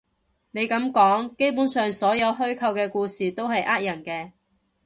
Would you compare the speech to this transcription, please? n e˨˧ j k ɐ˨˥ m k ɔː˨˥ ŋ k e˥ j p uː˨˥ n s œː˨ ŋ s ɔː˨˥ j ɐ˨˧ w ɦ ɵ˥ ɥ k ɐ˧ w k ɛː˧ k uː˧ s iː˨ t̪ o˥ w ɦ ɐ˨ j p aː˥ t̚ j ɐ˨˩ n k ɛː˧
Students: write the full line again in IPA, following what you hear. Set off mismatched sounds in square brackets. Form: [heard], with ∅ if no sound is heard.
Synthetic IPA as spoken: n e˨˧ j k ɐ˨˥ m k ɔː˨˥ ŋ k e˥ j p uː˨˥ n s œː˨ ŋ s ɔː˨˥ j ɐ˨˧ w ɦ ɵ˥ ɥ [kʰ] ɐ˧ w k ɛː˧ k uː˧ s iː˨ t̪ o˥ w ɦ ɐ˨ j [ʔ] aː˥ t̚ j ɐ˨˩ n k ɛː˧